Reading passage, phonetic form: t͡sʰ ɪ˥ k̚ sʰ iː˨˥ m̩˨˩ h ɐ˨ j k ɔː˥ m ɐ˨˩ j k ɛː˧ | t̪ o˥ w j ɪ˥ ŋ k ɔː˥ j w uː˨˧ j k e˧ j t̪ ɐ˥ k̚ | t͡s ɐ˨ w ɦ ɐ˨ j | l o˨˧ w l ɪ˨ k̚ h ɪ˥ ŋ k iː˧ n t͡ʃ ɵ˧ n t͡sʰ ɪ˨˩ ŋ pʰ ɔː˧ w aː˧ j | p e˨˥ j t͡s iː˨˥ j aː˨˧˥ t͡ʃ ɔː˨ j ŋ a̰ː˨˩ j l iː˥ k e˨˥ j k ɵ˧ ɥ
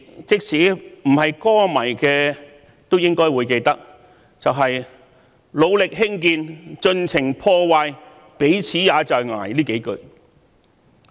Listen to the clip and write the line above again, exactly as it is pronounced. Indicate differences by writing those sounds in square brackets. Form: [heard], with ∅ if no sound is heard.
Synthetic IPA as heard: [t͡s] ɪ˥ k̚ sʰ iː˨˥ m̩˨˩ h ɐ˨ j k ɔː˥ m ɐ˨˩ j k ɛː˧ | t̪ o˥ w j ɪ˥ ŋ k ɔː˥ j w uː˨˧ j k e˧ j t̪ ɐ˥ k̚ | t͡s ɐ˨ w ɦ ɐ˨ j | l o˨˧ w l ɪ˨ k̚ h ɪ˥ ŋ k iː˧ n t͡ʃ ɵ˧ n t͡sʰ ɪ˨˩ ŋ pʰ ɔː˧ w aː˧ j | p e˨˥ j [t͡sʰ] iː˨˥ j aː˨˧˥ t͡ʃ ɔː˨ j ŋ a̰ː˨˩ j l iː˥ k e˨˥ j k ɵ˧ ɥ

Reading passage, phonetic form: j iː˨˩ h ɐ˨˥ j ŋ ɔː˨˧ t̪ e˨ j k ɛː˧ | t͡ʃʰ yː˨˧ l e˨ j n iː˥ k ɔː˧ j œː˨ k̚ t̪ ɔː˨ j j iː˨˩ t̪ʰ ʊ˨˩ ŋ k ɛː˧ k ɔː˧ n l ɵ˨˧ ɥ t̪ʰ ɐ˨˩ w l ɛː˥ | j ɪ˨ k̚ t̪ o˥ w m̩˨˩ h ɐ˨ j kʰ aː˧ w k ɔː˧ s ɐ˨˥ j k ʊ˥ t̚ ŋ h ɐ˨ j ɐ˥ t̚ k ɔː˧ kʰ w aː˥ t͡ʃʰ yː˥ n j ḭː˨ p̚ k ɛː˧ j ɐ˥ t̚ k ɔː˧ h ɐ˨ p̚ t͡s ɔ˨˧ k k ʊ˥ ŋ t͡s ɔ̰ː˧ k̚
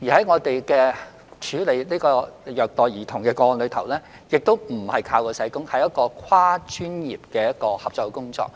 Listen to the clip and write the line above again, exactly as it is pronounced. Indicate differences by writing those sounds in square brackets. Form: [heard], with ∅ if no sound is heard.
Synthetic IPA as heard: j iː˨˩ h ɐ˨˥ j ŋ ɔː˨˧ t̪ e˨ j k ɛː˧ | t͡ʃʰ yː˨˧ l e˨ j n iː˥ k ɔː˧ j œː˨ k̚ t̪ ɔː˨ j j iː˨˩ t̪ʰ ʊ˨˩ ŋ k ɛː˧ k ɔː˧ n l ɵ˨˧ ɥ t̪ʰ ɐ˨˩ w l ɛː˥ | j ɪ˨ k̚ t̪ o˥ w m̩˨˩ h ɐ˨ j kʰ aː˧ w k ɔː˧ s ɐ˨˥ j k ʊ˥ [∅] ŋ h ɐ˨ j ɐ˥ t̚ k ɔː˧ kʰ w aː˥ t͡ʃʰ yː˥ n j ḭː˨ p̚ k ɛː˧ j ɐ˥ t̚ k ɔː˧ h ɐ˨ p̚ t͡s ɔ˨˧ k k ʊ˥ ŋ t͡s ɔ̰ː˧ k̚

